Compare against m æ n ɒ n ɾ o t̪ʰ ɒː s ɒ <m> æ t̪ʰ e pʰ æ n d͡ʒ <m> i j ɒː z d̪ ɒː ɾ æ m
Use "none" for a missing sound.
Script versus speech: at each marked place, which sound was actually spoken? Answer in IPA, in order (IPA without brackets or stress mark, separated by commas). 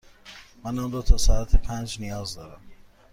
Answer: none, n